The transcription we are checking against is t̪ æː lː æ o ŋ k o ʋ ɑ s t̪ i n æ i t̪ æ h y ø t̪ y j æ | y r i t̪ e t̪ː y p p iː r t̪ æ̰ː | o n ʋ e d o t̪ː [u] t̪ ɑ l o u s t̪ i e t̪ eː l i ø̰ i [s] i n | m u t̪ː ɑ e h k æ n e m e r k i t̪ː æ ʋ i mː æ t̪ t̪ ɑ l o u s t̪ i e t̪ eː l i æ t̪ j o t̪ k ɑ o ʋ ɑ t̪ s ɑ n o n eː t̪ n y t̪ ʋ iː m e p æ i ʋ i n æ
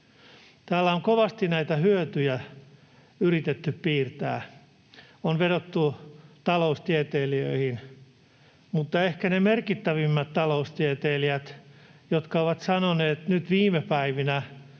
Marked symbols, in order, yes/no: yes, no

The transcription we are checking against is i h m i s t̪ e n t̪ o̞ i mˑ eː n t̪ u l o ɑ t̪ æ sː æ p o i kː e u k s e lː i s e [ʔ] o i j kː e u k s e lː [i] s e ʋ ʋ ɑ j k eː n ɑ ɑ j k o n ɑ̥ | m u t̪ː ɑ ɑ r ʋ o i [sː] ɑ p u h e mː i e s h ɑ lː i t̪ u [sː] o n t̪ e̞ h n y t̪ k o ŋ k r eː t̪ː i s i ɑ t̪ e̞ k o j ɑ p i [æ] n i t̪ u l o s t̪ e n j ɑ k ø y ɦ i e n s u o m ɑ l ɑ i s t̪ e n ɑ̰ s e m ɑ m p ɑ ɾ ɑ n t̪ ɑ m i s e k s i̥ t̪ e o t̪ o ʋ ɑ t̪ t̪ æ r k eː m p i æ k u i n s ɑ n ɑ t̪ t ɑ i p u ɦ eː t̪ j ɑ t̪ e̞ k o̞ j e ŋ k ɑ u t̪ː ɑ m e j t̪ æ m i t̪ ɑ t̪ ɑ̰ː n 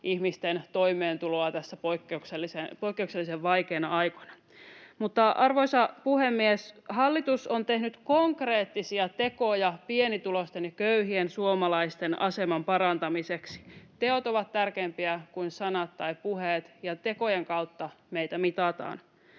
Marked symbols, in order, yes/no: no, yes, no, no, no

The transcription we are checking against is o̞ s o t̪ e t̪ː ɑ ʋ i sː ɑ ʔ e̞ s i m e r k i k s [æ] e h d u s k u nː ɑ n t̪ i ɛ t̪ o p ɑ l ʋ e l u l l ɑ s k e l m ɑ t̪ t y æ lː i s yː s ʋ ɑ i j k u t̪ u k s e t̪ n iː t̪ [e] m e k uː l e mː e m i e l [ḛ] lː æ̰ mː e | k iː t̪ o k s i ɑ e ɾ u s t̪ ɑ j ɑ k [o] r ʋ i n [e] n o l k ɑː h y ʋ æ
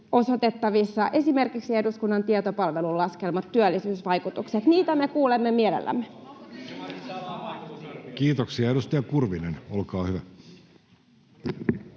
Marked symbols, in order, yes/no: no, no, yes, no, yes

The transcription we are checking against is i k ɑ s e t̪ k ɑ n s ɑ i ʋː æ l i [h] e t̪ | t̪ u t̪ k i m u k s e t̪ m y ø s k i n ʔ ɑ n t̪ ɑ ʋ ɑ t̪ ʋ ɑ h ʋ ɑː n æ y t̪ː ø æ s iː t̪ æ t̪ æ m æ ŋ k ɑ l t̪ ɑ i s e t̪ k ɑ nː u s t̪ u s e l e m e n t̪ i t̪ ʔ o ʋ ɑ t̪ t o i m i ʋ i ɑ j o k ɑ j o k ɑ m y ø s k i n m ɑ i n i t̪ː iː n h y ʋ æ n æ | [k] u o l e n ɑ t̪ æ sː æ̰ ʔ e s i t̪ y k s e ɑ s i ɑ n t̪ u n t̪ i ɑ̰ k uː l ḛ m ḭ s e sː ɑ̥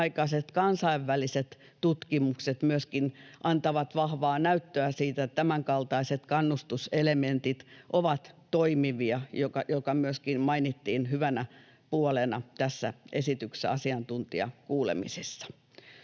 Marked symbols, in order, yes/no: no, no

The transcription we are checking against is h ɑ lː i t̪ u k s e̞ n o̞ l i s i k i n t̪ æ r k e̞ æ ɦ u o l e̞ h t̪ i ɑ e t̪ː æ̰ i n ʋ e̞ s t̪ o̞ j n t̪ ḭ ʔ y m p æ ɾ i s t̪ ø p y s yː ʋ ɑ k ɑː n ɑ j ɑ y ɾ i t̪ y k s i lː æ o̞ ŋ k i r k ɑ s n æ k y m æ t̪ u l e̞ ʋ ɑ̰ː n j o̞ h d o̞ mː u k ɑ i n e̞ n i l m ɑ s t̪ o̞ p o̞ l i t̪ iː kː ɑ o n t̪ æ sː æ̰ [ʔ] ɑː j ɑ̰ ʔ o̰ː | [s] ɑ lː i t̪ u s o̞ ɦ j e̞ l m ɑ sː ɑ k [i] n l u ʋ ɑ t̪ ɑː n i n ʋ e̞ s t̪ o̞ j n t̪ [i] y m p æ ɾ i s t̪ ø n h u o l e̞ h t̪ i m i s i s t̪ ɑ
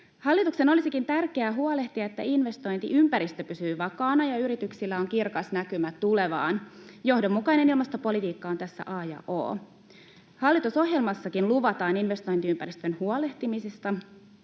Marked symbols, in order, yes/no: yes, no, yes, yes

